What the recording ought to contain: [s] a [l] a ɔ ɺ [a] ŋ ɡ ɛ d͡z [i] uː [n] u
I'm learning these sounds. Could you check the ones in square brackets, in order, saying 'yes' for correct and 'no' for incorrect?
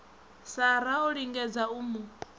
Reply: yes, no, no, no, no

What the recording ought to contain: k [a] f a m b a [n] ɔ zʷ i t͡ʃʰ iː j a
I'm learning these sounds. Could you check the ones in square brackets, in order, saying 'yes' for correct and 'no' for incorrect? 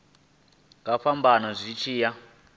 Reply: yes, yes

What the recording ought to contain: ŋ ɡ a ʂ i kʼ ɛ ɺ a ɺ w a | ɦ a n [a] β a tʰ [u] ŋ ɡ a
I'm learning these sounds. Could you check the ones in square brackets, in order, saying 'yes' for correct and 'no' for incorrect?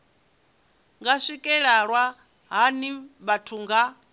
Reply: no, yes

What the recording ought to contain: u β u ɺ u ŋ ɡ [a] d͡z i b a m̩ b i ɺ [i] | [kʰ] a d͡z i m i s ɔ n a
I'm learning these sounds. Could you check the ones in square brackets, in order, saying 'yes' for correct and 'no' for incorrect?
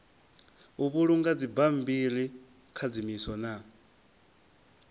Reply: yes, yes, yes

